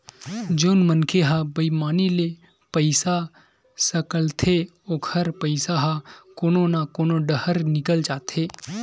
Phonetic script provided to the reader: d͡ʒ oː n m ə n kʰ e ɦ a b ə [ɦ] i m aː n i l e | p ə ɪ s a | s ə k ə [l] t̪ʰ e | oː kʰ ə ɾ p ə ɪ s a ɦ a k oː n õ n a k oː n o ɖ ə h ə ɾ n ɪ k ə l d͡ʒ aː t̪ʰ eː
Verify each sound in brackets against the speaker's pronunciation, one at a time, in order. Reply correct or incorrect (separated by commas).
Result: incorrect, correct